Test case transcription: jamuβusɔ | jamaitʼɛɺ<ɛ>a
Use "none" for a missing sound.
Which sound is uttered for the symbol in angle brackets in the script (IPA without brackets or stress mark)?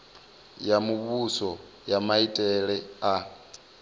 ɛ